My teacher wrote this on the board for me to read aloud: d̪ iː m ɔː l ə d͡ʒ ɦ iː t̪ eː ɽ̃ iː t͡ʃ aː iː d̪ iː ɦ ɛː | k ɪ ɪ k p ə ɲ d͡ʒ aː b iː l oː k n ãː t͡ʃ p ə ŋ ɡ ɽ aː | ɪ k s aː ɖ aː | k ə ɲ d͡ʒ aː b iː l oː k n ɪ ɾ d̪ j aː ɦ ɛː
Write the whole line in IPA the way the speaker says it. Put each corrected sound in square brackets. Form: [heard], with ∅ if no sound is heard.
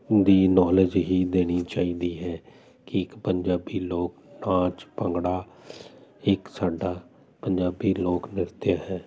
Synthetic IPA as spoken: d̪ iː [n] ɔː l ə d͡ʒ ɦ iː [d̪] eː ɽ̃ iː t͡ʃ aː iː d̪ iː ɦ ɛː | k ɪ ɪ k p ə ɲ d͡ʒ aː b iː l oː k n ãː t͡ʃ p ə ŋ ɡ ɽ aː | ɪ k s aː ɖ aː | [p] ə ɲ d͡ʒ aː b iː l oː k n ɪ ɾ [t̪] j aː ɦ ɛː